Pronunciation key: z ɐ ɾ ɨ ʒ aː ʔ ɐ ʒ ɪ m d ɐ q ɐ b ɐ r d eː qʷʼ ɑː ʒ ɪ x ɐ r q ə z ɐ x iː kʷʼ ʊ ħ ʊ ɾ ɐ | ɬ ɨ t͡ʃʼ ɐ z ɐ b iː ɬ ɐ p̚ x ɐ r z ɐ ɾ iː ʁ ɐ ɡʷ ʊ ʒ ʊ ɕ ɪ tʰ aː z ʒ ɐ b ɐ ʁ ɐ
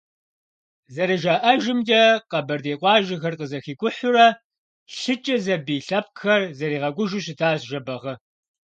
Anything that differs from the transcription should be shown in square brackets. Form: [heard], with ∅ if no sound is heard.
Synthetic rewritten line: z ɐ ɾ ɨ ʒ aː ʔ ɐ ʒ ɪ m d ɐ q ɐ b ɐ r d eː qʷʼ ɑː ʒ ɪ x ɐ r q ə z ɐ x iː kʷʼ ʊ ħ ʊ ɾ ɐ | ɬ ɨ t͡ʃʼ ɐ z ɐ b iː ɬ ɐ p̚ x ɐ r z ɐ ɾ iː ʁ ɐ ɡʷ ʊ ʒ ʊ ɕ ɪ tʰ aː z ʒ ɐ b ɐ ʁ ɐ